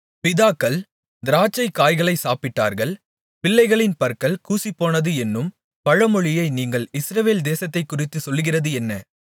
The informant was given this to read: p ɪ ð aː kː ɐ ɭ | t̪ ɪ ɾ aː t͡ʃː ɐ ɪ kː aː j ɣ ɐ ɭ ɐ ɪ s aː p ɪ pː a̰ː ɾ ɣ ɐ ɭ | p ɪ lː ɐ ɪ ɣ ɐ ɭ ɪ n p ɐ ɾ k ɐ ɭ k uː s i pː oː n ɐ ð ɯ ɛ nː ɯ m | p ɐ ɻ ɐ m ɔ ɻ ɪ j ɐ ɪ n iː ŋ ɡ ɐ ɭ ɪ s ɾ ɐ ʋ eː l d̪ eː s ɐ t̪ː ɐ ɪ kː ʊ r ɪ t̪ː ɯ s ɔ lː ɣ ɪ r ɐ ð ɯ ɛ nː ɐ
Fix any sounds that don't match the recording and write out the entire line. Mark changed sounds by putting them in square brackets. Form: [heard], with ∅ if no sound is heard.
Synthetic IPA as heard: p ɪ ð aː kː ɐ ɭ | [d̪] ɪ ɾ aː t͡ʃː ɐ ɪ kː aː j ɣ ɐ ɭ ɐ ɪ s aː p ɪ [ʈː] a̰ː ɾ ɣ ɐ ɭ | p ɪ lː ɐ ɪ ɣ ɐ ɭ ɪ n p ɐ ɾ k ɐ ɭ k uː s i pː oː n ɐ ð ɯ ɛ nː ɯ m | p ɐ ɻ ɐ m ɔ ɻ ɪ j ɐ ɪ n iː ŋ ɡ ɐ ɭ ɪ s ɾ ɐ ʋ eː l d̪ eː s ɐ t̪ː ɐ ɪ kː ʊ r ɪ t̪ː ɯ s ɔ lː ɣ ɪ r ɐ ð ɯ ɛ nː ɐ